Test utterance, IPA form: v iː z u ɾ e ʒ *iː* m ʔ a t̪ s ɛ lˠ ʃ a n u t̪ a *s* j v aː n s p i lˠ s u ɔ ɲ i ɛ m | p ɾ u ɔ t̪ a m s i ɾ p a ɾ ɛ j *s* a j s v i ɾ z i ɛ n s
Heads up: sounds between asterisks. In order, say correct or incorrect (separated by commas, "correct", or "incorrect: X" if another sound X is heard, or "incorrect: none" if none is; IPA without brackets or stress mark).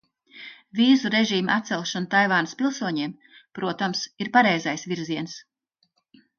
correct, incorrect: none, incorrect: z